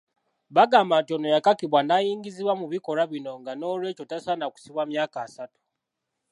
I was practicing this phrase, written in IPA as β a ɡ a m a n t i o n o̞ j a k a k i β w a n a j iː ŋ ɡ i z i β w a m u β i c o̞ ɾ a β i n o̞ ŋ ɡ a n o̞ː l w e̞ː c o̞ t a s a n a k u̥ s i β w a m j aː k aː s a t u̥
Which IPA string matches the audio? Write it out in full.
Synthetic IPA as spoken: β a ɡ a m a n t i o n o̞ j a k a k i β w a n a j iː ŋ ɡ i z i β w a m u β i k o̞ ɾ a β i n o̞ ŋ ɡ a n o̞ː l w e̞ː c o̞ t a s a n a k u̥ s i β w a m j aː k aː s a t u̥